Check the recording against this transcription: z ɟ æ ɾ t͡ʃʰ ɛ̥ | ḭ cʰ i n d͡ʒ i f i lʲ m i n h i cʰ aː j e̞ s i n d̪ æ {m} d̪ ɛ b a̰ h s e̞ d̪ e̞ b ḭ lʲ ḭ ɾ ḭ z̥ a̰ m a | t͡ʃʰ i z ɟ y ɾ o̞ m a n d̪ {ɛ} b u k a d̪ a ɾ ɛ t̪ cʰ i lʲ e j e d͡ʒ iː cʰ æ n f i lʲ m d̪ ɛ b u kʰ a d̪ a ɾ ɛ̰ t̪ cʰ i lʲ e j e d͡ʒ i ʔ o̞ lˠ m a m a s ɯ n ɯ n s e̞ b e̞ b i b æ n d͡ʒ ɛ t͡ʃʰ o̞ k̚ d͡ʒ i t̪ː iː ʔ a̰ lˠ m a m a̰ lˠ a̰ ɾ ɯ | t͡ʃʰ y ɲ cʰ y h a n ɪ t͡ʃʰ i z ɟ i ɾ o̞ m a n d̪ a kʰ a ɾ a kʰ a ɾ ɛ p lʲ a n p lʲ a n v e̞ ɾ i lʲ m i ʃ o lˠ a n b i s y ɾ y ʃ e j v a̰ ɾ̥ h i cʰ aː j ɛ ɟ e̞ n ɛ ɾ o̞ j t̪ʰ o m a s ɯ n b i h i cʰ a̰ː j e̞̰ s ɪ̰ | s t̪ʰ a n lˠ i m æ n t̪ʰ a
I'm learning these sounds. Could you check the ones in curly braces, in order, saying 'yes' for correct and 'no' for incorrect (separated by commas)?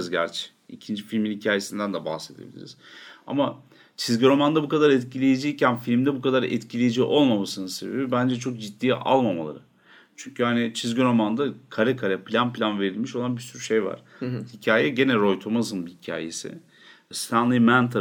no, no